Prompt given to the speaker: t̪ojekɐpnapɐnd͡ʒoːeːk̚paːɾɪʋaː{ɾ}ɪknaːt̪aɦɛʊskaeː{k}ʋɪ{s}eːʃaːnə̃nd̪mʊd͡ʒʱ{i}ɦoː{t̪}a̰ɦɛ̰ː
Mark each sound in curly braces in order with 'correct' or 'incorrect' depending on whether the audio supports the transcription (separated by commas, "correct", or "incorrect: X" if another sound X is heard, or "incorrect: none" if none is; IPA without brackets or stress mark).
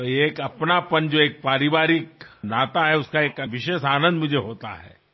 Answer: correct, correct, incorrect: ʃ, incorrect: e, correct